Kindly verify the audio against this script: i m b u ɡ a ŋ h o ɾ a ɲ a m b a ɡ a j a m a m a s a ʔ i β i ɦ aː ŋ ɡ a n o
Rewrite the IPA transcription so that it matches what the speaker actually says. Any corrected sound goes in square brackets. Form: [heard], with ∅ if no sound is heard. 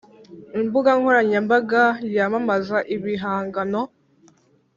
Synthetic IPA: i m b u ɡ a ŋ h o ɾ a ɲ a m b a ɡ a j a m a m a [z] a ʔ i β i ɦ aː ŋ ɡ a n o